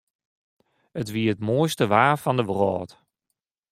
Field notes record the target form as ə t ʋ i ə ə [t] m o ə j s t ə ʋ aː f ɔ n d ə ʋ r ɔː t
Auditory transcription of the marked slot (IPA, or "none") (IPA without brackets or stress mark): t